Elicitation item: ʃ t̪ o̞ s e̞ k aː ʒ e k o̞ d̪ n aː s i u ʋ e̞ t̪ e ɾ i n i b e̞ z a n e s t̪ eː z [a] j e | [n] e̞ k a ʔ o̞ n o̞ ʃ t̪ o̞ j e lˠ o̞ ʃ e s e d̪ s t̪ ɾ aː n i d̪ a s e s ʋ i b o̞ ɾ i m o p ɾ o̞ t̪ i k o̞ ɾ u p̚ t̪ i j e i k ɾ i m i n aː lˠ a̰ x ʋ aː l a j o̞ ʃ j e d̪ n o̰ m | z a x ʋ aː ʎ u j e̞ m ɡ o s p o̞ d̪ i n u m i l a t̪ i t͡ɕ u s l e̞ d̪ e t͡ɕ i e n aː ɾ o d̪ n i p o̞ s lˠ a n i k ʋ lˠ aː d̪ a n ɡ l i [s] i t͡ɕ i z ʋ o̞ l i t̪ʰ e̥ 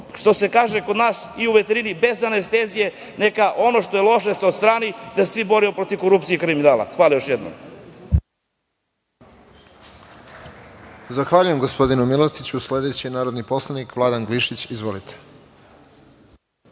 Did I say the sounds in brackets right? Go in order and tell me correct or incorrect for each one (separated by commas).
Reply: incorrect, correct, incorrect